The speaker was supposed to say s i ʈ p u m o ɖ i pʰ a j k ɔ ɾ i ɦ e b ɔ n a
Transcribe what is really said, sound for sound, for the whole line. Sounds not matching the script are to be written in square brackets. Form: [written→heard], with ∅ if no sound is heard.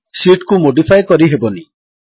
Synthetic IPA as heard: s i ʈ [p→k] u m o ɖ i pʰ a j k ɔ ɾ i ɦ e b ɔ n [a→i]